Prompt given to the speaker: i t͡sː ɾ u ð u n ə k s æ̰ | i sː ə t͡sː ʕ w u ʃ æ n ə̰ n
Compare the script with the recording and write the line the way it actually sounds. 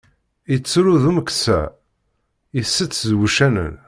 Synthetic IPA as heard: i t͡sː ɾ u ð u m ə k s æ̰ | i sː ə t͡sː z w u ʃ æ n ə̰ n